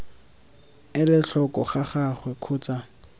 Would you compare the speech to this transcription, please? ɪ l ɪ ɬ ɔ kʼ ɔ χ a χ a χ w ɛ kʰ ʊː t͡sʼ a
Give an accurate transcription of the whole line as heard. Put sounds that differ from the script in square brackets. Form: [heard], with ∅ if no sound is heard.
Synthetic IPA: ɪ l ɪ ɬ ɔ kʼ ɔ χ a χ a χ w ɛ kʰ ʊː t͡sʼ a